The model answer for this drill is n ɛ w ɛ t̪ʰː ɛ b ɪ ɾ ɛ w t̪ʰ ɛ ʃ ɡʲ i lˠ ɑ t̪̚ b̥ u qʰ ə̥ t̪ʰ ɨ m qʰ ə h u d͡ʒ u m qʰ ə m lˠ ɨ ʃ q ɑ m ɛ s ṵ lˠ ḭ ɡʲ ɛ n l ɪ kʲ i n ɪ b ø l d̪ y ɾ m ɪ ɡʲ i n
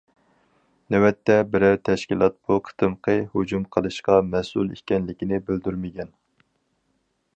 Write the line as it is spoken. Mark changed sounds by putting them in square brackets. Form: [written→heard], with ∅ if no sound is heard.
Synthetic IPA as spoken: n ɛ w ɛ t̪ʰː ɛ b ɪ ɾ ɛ w t̪ʰ ɛ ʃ [ɡʲ→kʲ] i lˠ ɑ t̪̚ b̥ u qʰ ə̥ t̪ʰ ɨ m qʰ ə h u d͡ʒ u m qʰ ə [m→∅] lˠ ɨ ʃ q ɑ m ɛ s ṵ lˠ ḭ [ɡʲ→kʲ] ɛ n l ɪ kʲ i n ɪ b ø l d̪ y ɾ m ɪ ɡʲ [i→ɛ] n